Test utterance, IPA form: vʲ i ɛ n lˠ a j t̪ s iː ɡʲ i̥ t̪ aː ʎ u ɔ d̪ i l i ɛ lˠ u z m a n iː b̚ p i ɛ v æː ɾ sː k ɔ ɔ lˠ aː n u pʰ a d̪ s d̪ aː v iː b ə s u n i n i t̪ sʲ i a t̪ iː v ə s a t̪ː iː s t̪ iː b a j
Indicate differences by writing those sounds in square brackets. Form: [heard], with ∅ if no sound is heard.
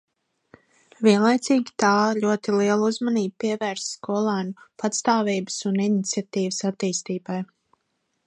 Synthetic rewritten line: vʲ i ɛ n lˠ a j t̪ s iː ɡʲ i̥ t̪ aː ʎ u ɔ [t̪] i l i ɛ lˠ u z m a n iː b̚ p i ɛ v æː ɾ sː k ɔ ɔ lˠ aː n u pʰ a [t̪] s [t̪] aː v iː b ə s u n i n i t̪ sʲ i a t̪ iː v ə s a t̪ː iː s t̪ iː b a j